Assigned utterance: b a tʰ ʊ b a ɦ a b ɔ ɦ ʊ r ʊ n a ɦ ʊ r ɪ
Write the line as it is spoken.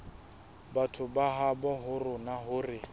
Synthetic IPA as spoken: b a tʰ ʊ b a ɦ a b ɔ ɦ ʊ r ʊ n a ɦ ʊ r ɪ

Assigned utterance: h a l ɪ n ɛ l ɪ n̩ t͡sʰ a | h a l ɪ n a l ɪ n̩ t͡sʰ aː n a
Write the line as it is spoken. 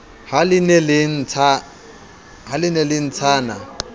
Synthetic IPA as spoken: h a l ɪ n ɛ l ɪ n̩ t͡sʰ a | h a l ɪ n ɛ l ɪ n̩ t͡sʰ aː n a

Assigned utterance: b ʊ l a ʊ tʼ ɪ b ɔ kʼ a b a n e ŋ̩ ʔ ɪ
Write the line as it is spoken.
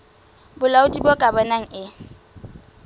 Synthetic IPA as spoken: b ʊ l a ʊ tʼ i b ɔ kʼ a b a n a ŋ̩ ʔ ɪ

